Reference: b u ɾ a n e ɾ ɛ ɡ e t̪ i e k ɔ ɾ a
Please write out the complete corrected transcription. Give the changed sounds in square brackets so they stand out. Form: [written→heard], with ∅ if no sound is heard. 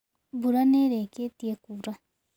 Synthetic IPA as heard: b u ɾ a n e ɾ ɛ [ɡ→k] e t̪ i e k [ɔ→u] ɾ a